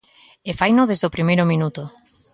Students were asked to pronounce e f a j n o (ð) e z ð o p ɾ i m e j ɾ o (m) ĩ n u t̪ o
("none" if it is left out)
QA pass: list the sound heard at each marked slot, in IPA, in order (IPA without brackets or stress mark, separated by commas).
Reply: ð, m